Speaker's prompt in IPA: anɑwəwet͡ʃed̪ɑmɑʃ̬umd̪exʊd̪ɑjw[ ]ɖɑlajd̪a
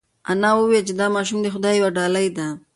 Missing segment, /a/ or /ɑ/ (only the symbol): a